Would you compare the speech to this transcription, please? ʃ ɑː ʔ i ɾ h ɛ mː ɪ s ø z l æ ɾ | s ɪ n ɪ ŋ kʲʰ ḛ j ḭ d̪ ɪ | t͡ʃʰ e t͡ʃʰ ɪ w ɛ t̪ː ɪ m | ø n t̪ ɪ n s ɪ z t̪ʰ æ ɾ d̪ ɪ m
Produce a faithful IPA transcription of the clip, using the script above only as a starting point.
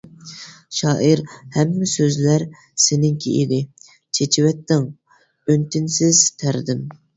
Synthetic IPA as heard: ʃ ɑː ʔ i ɾ h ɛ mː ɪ s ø z l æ ɾ | s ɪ n ɪ ŋ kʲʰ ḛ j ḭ d̪ ɪ | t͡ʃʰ e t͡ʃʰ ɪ w ɛ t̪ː ɪ ŋ | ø n t̪ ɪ n s ɪ z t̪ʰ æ ɾ d̪ ɪ m